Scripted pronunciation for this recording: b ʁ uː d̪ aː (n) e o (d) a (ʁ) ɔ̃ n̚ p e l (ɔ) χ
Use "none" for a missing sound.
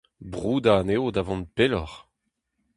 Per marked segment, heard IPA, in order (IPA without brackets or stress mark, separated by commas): n, d, v, ɔ